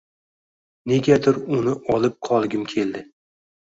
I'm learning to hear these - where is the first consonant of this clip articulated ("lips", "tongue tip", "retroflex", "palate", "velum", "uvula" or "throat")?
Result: tongue tip